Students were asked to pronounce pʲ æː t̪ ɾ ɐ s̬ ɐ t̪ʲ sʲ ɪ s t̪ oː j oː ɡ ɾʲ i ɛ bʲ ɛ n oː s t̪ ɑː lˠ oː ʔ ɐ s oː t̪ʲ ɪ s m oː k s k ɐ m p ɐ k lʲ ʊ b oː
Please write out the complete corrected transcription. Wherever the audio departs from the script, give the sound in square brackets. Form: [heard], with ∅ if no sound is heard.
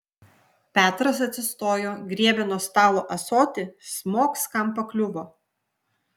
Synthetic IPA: pʲ æː t̪ ɾ ɐ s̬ ɐ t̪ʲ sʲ ɪ s t̪ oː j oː ɡ ɾʲ i ɛ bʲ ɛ n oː s t̪ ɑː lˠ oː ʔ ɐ s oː t̪ʲ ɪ s m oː k s k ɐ m p ɐ k lʲ ʊ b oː